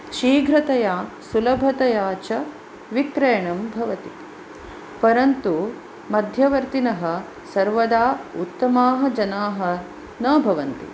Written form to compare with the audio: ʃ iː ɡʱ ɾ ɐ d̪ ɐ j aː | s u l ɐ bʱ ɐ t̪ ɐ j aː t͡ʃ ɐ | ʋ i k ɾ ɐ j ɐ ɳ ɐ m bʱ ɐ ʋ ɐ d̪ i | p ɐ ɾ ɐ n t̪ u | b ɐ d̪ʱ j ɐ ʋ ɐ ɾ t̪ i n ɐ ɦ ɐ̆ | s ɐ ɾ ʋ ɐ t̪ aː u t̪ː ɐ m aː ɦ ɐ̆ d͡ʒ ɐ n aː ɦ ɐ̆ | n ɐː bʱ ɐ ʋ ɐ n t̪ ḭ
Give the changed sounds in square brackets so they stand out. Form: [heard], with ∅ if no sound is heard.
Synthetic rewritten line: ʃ iː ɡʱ ɾ ɐ [t̪] ɐ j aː | s u l ɐ bʱ ɐ t̪ ɐ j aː t͡ʃ ɐ | ʋ i k ɾ ɐ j ɐ ɳ ɐ m bʱ ɐ ʋ ɐ [t̪] i | p ɐ ɾ ɐ n t̪ u | [m] ɐ d̪ʱ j ɐ ʋ ɐ ɾ t̪ i n ɐ ɦ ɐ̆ | s ɐ ɾ ʋ ɐ [d̪] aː u t̪ː ɐ m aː ɦ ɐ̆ d͡ʒ ɐ n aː ɦ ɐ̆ | n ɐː bʱ ɐ ʋ ɐ n t̪ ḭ